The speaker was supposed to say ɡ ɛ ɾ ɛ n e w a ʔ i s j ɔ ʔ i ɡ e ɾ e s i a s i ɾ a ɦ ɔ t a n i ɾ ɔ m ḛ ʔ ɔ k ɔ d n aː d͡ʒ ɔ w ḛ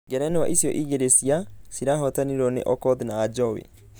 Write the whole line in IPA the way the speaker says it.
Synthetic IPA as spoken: ɡ ɛ ɾ ɛ n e w a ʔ i s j ɔ ʔ i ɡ e ɾ e s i a s i ɾ a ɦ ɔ t a n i ɾ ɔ n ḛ ʔ ɔ k ɔ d n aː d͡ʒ ɔ w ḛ